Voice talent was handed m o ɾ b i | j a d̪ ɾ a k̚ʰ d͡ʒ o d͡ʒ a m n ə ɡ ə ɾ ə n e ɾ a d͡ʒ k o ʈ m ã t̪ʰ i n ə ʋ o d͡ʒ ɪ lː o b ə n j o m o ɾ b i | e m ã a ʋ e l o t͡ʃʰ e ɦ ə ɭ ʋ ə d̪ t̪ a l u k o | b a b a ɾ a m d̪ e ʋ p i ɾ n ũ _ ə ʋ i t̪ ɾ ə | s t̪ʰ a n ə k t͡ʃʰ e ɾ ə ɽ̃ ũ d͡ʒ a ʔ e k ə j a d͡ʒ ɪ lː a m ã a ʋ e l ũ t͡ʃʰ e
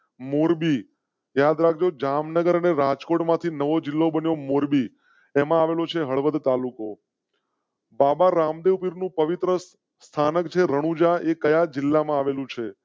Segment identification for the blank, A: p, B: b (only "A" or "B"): A